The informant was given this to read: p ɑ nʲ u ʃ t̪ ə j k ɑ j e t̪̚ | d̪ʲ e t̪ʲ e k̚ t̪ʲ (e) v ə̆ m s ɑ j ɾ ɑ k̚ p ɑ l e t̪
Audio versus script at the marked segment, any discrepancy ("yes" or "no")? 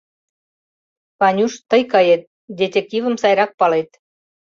yes